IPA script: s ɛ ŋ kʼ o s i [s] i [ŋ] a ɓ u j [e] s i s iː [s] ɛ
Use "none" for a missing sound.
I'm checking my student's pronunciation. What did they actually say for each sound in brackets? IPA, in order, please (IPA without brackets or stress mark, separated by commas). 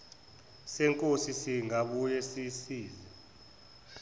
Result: s, ŋ, ɛ, z